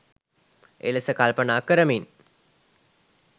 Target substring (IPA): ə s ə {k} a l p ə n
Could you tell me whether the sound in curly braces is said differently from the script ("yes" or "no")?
no